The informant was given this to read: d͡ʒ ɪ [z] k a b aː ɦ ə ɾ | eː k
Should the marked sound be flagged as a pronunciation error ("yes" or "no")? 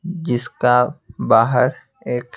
yes